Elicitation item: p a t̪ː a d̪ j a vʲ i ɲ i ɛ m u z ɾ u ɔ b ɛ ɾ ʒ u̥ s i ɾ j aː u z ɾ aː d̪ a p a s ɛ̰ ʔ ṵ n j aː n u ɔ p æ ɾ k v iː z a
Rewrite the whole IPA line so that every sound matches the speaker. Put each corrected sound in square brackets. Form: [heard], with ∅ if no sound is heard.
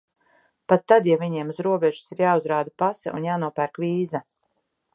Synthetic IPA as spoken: p a t̪ː a d̪ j a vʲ i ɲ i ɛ m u z ɾ u ɔ b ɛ [∅] ʒ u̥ s i ɾ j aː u z ɾ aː d̪ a p a s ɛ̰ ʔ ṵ n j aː n u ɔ p æ ɾ k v iː z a